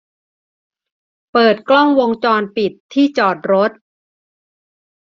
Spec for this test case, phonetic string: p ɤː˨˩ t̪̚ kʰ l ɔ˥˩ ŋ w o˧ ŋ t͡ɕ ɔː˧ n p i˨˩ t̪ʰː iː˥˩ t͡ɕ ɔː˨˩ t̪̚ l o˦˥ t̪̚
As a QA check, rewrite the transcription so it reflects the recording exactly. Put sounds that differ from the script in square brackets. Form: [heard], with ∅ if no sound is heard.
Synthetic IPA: p ɤː˨˩ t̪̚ [k] l ɔ˥˩ ŋ w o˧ ŋ t͡ɕ ɔː˧ n p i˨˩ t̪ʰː iː˥˩ t͡ɕ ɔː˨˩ t̪̚ [ɾ] o˦˥ t̪̚